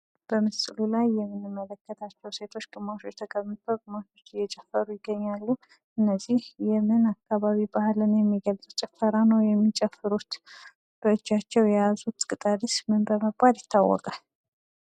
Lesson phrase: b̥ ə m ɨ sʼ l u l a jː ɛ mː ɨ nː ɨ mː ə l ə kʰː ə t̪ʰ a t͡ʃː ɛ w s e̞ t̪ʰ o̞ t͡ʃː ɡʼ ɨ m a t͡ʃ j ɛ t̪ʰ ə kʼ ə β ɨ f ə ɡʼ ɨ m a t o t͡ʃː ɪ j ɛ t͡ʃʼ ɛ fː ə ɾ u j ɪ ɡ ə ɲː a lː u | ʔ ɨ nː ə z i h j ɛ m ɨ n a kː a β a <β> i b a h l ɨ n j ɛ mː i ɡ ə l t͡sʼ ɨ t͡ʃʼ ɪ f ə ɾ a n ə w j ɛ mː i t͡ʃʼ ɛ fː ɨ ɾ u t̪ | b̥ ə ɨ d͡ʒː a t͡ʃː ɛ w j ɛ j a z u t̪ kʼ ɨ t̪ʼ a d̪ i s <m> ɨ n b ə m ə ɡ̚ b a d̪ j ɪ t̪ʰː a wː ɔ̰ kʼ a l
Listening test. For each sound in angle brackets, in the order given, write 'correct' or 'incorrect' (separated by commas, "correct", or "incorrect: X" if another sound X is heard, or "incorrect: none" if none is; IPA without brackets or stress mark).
correct, correct